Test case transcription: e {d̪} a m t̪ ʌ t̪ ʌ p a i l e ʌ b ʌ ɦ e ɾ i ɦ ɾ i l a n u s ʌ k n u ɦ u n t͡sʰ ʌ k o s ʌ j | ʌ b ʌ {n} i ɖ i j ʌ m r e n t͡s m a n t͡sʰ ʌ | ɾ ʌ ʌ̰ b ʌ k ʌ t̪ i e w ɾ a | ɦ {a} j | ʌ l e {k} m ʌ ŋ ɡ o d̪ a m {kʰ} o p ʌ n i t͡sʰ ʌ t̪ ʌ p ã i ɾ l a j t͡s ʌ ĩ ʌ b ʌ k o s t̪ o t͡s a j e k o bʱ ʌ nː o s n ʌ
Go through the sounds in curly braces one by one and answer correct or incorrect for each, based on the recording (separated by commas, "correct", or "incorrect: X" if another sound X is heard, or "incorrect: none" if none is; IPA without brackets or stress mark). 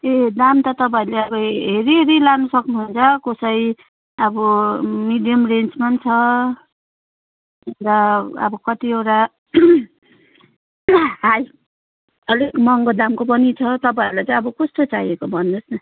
correct, incorrect: m, correct, correct, incorrect: k